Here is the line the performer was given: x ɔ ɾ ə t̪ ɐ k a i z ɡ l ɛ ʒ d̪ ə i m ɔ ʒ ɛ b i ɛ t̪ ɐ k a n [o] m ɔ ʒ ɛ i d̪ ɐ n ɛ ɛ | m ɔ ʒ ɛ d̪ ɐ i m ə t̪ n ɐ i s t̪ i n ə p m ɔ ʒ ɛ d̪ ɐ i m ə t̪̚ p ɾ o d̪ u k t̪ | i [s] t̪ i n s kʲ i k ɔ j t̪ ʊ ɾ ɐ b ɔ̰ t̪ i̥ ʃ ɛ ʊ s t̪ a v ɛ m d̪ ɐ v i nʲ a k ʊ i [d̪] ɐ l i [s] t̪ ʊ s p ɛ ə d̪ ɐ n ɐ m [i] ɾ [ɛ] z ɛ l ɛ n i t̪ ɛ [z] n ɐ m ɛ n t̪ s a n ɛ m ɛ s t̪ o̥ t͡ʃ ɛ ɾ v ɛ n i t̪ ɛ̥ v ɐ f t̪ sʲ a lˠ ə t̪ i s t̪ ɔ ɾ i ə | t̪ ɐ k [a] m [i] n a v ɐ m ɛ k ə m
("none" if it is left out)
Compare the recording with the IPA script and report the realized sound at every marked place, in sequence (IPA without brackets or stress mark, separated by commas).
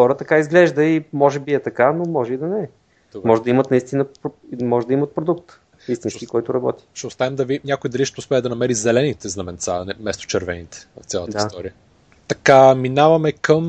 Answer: o, s, d̪, ʃ, ɛ, i, z, a, i